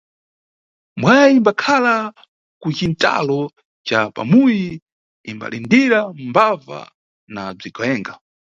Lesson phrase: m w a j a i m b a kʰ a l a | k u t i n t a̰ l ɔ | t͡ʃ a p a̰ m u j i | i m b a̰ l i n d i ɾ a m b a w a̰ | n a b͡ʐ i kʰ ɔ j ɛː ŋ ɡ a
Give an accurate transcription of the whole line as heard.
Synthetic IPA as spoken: m w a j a i m b a kʰ a l a | k u t͡ʃ i n t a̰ l ɔ | t͡ʃ a p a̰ m u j i | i m b a̰ l i n d i ɾ a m b a v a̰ | n a b͡ʐ i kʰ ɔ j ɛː ŋ ɡ a